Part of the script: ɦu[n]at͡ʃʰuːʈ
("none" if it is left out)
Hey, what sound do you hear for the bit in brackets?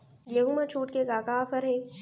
m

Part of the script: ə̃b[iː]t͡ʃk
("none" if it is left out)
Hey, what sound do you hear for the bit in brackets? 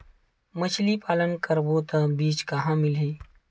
iː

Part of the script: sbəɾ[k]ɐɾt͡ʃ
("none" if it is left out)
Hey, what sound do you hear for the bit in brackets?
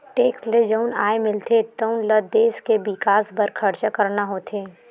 kʰ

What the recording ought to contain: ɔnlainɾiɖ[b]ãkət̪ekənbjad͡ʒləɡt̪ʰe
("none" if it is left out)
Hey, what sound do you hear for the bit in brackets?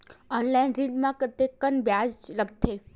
m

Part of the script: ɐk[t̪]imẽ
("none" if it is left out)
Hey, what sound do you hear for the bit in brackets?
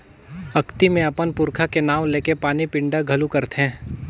t̪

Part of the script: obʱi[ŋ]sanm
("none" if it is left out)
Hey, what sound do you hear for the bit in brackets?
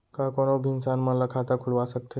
n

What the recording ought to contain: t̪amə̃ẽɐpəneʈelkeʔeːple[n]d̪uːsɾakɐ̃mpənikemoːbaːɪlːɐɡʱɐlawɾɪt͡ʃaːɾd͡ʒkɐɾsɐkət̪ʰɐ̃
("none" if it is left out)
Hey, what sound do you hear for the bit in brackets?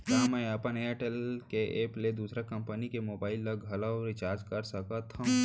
none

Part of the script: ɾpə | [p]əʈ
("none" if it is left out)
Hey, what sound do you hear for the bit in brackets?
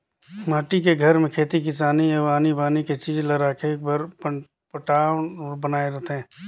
p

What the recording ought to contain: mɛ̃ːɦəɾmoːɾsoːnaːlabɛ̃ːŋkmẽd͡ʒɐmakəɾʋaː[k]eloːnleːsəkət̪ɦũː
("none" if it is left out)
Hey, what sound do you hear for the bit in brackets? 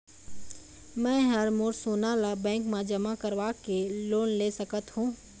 k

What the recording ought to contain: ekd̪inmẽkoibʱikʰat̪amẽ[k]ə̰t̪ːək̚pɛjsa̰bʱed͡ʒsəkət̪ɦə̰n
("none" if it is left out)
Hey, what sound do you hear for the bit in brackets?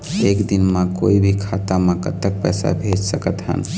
k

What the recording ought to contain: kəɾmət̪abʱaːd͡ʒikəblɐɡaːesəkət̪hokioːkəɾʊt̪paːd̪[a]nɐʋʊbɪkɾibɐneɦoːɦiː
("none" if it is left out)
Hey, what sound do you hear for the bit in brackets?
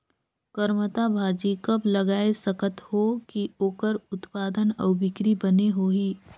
ə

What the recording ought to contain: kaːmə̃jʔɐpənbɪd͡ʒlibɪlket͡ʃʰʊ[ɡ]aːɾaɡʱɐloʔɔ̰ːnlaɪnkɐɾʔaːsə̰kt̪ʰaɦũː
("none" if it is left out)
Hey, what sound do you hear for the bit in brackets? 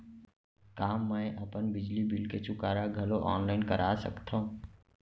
k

